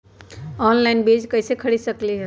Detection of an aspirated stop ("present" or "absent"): present